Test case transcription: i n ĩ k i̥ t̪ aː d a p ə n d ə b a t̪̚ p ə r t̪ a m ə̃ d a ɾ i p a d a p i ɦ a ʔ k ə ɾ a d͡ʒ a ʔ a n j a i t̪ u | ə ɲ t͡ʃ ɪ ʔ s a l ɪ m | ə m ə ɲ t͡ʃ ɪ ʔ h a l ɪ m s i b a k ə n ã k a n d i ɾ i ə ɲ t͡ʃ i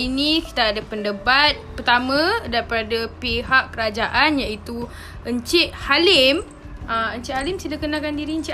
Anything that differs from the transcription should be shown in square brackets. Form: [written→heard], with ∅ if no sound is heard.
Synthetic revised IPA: i n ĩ k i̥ t̪ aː d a p ə n d ə b a t̪̚ p ə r t̪ a m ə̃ d a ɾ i p a d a p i ɦ a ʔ k ə ɾ a d͡ʒ a ʔ a n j a i t̪ u | ə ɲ t͡ʃ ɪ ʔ [s→h] a l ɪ m | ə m ə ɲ t͡ʃ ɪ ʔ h a l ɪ m s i [b→d] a k ə n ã k a n d i ɾ i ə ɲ t͡ʃ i